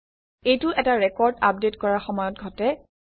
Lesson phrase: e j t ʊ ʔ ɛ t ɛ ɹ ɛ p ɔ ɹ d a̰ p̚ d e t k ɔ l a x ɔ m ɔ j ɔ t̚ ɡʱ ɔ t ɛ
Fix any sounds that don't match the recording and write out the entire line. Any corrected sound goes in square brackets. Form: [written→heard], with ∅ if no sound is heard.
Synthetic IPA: e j t ʊ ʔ ɛ t [ɛ→a] ɹ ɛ [p→k] ɔ ɹ d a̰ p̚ d e t k ɔ [l→ɹ] a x ɔ m ɔ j ɔ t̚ ɡʱ ɔ t ɛ